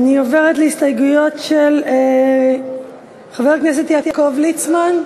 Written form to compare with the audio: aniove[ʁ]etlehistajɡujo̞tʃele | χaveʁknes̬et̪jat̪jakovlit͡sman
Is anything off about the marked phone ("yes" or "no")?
no